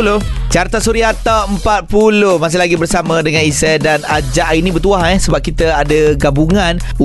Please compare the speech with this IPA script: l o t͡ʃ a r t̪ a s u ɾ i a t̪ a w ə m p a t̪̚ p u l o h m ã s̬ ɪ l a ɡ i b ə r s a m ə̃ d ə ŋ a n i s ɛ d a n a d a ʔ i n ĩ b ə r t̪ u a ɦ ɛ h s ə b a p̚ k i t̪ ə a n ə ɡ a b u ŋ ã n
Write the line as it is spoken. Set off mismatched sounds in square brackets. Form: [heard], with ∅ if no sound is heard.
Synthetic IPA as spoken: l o t͡ʃ a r t̪ a s u ɾ i a t̪ a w ə m p a t̪̚ p u l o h m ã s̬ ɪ l a ɡ i b ə r s a m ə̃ d ə ŋ a n i s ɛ d a n a [d͡ʒ] a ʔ i n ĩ b ə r t̪ u a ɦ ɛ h s ə b a p̚ k i t̪ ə a [d] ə ɡ a b u ŋ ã n